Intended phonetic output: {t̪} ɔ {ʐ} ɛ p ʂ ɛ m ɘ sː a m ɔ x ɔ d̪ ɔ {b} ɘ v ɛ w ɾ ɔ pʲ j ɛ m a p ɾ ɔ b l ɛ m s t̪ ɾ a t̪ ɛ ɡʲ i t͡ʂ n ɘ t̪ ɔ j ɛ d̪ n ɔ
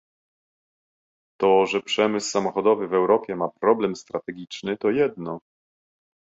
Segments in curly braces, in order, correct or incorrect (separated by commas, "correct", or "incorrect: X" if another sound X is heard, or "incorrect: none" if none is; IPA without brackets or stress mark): correct, correct, incorrect: v